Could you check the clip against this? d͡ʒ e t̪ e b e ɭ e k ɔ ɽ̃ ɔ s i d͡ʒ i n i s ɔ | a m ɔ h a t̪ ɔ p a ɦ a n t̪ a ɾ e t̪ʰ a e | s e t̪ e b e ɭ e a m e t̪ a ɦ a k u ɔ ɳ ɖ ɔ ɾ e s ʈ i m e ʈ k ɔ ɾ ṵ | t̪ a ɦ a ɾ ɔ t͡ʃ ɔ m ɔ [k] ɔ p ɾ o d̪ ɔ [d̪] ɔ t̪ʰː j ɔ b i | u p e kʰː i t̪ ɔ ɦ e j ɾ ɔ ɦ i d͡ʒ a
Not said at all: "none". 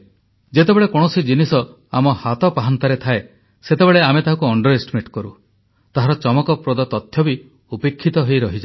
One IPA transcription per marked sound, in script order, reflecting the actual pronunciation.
k, t̪

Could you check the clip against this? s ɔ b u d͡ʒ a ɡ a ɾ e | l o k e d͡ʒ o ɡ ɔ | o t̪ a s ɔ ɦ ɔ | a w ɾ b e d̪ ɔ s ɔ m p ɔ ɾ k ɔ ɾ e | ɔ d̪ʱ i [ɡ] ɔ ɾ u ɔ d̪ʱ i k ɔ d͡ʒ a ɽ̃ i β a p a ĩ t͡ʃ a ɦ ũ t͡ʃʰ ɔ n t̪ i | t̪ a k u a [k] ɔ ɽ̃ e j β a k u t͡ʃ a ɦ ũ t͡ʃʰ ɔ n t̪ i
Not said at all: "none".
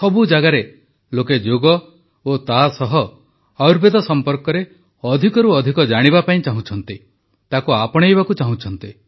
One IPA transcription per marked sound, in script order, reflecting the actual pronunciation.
k, p

